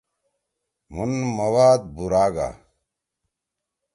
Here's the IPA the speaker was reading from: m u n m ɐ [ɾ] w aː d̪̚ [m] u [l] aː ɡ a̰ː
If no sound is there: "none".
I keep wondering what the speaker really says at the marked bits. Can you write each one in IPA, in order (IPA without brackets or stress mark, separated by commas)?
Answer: none, b, ɾ